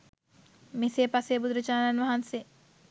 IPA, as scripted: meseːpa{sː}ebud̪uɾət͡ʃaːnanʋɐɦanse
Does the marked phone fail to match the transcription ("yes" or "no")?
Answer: yes